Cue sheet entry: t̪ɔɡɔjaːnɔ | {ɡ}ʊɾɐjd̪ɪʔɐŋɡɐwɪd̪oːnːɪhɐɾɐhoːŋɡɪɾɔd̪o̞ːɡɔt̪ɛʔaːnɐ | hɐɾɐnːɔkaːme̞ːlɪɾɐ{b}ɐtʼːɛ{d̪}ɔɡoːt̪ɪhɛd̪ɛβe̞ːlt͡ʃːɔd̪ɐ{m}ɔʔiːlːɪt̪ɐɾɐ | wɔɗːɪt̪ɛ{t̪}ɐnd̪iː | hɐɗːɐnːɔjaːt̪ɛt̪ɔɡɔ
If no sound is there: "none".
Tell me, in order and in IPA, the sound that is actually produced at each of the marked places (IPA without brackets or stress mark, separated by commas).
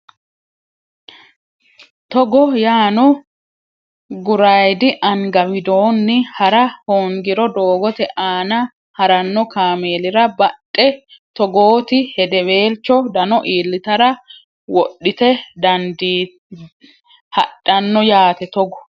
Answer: ɡ, b, t̪, n, d̪